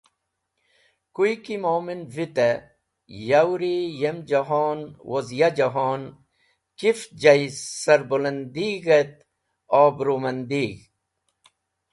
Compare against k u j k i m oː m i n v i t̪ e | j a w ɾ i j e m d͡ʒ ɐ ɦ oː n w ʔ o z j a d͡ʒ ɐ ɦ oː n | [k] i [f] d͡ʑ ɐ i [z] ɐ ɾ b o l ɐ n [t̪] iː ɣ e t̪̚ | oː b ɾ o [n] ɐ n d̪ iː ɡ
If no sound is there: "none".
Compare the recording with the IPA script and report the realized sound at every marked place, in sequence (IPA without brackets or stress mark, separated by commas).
k, f, s, d̪, m